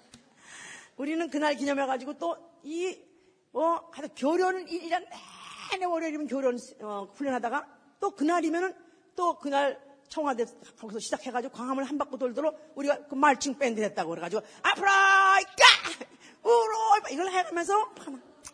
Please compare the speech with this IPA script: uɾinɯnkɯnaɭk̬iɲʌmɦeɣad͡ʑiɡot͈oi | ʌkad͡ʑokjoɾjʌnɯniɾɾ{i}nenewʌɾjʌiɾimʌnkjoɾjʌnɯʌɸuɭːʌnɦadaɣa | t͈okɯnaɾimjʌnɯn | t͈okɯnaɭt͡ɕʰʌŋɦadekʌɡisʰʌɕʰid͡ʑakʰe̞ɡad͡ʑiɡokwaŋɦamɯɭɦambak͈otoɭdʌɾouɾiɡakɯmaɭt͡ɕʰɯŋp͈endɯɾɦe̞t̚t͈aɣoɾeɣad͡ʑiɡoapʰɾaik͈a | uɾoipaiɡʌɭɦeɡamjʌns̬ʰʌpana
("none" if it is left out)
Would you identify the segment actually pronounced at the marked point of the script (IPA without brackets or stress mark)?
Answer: a